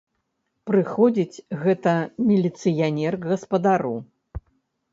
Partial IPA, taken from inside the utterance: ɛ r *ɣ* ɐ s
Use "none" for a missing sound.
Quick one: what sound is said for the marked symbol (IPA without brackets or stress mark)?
ɣ